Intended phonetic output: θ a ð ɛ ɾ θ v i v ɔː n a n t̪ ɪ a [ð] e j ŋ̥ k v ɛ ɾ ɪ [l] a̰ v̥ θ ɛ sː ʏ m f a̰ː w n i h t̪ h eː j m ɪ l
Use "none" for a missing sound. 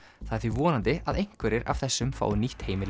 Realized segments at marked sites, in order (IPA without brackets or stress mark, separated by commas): ð, ɾ